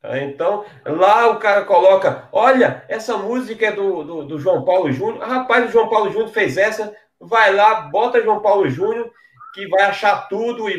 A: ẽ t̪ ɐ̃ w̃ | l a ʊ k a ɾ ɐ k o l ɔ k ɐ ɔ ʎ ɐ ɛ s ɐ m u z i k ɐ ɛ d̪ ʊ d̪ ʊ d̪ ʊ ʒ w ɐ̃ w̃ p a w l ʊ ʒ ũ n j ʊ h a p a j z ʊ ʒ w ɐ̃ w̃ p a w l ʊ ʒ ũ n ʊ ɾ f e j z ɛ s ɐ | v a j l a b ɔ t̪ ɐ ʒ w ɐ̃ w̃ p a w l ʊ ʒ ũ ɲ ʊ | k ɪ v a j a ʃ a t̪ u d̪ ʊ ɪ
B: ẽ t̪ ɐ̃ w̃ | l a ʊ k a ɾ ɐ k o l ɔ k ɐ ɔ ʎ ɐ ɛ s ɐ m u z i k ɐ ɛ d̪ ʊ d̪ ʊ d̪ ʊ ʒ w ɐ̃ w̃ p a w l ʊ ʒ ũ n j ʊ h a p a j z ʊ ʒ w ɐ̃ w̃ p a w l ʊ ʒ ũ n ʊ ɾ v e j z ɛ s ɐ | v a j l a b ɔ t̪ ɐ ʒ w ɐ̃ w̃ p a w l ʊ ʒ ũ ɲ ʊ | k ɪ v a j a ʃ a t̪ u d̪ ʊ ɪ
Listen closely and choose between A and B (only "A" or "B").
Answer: A